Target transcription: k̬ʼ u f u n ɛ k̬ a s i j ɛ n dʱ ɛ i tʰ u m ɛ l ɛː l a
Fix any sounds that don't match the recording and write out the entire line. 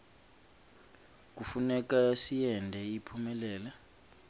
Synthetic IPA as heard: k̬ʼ u f u n ɛ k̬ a s i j ɛ n dʱ ɛ i pʰ u m ɛ l ɛː l a